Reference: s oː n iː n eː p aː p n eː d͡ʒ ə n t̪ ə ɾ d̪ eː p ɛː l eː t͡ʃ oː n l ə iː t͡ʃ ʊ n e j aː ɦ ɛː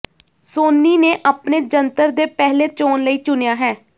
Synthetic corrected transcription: s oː n iː n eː ʔ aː p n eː d͡ʒ ə n t̪ ə ɾ d̪ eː p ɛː l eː t͡ʃ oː n l ə iː t͡ʃ ʊ n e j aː ɦ ɛː